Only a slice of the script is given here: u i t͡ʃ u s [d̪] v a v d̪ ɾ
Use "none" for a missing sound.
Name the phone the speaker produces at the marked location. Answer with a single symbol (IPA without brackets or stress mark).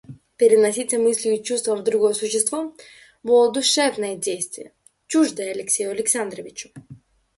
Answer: t̪